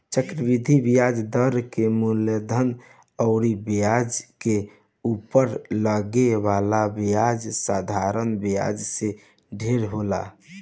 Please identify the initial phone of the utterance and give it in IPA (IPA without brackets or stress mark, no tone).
t͡ʃ